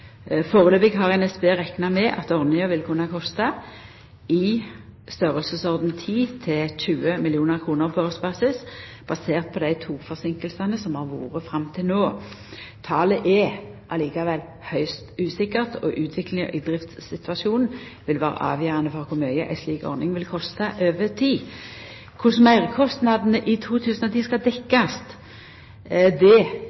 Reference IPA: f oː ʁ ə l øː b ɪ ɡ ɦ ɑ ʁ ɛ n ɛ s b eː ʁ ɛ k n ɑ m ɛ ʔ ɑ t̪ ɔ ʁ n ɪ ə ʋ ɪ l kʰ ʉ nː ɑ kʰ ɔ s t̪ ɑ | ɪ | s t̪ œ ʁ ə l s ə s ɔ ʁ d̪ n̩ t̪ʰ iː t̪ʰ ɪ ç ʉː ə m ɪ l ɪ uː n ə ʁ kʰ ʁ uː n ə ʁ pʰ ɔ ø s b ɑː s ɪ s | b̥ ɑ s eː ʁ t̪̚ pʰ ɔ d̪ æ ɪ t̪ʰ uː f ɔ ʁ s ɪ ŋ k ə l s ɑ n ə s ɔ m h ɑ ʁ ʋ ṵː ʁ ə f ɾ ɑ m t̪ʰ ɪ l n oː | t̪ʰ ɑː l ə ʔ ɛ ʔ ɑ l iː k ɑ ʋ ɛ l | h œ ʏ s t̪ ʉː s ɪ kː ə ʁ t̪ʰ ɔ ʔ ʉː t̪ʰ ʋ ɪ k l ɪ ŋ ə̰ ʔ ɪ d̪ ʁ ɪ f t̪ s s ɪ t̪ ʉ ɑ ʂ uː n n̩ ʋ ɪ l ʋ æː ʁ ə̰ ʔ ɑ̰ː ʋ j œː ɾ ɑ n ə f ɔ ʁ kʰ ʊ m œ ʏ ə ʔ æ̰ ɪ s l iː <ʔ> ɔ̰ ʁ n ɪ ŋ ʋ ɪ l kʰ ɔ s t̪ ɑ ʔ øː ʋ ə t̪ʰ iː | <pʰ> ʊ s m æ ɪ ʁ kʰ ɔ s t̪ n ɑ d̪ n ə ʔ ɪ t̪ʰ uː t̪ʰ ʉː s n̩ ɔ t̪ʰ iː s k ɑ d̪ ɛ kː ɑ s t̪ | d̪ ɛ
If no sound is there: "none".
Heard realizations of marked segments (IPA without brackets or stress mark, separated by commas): k, kʰ